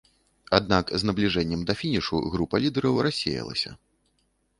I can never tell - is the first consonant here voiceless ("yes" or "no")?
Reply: no